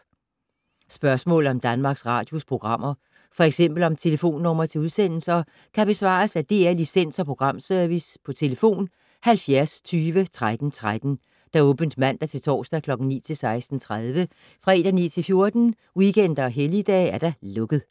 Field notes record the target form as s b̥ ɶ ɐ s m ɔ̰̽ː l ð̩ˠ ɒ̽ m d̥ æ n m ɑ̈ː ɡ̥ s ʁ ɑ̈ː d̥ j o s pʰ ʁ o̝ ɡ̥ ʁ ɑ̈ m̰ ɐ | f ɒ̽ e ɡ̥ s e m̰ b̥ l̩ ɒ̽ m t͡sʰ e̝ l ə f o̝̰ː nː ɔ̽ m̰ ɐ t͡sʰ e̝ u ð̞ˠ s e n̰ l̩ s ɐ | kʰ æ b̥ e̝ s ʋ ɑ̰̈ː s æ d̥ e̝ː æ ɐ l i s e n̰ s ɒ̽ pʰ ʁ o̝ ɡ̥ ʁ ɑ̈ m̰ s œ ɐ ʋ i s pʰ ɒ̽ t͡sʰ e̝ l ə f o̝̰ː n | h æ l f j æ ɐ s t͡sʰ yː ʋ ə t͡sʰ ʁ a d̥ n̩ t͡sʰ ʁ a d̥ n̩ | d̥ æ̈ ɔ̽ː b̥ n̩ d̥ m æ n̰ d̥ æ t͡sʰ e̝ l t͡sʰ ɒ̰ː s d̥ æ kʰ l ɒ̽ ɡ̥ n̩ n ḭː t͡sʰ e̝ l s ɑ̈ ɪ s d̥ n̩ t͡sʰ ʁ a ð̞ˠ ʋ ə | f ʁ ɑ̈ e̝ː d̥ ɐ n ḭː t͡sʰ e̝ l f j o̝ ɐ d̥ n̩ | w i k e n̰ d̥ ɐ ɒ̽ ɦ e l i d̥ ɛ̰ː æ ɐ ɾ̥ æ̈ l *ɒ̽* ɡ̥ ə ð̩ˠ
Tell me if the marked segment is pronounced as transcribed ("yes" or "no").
no